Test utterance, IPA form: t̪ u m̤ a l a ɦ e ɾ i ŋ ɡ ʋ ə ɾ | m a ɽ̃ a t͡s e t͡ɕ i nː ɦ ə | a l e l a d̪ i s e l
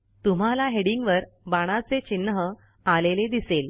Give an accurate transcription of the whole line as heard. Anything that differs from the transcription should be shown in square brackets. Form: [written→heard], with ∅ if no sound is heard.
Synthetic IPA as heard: t̪ u m̤ a l a ɦ e [ɾ→ɽ] i ŋ ɡ ʋ ə ɾ | [m→b] a ɽ̃ a t͡s e t͡ɕ i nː ɦ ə | a l e l [a→e] d̪ i s e l

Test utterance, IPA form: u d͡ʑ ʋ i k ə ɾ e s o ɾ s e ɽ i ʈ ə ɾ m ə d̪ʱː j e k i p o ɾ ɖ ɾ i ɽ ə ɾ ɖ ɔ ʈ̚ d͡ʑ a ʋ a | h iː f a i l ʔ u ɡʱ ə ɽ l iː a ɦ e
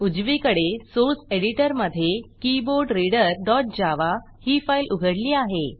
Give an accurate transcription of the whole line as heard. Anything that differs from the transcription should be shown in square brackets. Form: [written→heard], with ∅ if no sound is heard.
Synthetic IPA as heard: u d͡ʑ ʋ i k ə [ɾ→ɽ] e s o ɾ s e ɽ i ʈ ə ɾ m ə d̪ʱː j e k i [p→b] o ɾ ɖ ɾ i ɽ ə ɾ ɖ ɔ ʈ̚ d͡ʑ a ʋ a | h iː f a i l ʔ u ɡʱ ə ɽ l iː a ɦ e

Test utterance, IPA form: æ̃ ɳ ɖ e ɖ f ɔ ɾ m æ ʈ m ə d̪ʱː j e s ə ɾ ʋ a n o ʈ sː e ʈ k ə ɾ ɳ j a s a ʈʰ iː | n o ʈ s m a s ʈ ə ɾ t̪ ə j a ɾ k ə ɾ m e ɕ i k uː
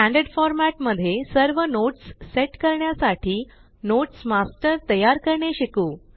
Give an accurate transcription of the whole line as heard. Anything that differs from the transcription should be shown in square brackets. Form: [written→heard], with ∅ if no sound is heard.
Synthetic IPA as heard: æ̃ ɳ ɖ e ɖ f ɔ ɾ m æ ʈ m ə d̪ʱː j e s ə ɾ ʋ [a→ə] n o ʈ sː e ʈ k ə ɾ ɳ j a s a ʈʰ iː | n o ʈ s m a s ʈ ə ɾ t̪ ə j a ɾ k ə ɾ [m→ɳ] e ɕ i k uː

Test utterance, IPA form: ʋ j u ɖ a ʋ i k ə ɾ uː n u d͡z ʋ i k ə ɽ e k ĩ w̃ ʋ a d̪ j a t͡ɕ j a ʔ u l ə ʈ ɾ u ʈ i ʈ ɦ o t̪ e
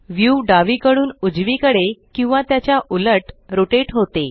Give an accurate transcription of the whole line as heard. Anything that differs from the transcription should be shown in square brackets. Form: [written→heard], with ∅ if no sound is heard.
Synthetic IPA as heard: ʋ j u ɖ a ʋ i k ə [ɾ→ɽ] uː n u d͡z ʋ i k ə ɽ e k ĩ w̃ ʋ a [d̪→t̪] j a t͡ɕ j a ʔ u l ə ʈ ɾ [u→o] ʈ [i→e] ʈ ɦ o t̪ e

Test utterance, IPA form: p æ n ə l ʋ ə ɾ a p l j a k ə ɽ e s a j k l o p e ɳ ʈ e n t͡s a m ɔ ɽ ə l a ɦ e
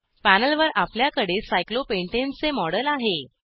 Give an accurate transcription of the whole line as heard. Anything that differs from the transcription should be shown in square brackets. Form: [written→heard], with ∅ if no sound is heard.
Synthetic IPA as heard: p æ n ə l ʋ ə ɾ a p l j a k ə ɽ e s a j k l o p e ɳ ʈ e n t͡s [a→e] m ɔ ɽ ə l a ɦ e

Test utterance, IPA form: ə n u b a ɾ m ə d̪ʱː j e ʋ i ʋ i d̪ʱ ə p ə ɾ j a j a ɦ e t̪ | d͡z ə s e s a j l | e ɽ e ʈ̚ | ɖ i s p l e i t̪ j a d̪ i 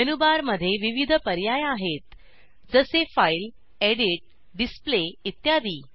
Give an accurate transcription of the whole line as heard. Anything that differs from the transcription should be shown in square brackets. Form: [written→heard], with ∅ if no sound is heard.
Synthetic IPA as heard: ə n u b a ɾ m ə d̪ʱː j e ʋ i ʋ i d̪ʱ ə p ə ɾ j a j a ɦ e t̪ | d͡z ə s e [s→f] a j l | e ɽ [e→i] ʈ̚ | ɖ i s p l e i t̪ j a d̪ [i→iː]

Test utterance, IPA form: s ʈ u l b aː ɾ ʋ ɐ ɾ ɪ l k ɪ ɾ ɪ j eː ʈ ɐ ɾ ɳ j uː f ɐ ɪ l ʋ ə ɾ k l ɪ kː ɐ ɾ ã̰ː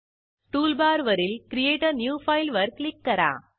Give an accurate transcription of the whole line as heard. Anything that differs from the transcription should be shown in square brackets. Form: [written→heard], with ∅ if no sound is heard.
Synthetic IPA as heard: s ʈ [u→uː] l b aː ɾ ʋ ɐ ɾ ɪ l k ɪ ɾ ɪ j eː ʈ ɐ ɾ [ɳ→n] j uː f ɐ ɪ l ʋ [ə→ɐ] ɾ k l ɪ kː ɐ ɾ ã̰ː

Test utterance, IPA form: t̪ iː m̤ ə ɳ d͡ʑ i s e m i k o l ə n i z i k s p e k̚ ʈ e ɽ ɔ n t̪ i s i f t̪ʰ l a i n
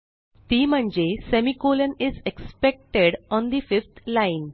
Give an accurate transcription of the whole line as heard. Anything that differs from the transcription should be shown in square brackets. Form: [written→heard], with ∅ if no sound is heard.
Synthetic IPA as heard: t̪ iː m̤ ə ɳ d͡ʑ [i→e] s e m i k o l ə n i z [i→e] k s p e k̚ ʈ e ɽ ɔ n [t̪→d̪] i [s→f] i f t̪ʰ l a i n

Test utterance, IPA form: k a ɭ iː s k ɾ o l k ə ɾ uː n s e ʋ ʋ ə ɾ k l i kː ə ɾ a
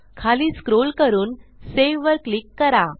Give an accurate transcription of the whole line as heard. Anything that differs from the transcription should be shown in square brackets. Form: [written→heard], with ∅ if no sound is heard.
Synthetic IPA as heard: [k→kʰ] a [ɭ→l] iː s k ɾ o l k ə ɾ uː n s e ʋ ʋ ə ɾ k l i kː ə ɾ a

